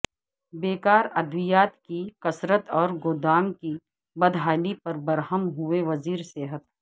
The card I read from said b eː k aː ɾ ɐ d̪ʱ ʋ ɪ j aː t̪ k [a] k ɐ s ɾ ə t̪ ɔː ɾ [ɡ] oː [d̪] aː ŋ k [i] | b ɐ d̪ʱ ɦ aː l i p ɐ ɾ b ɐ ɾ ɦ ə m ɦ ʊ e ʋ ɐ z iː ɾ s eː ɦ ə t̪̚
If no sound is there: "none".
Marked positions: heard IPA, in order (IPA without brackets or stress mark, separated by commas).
i, ɡ, d̪, i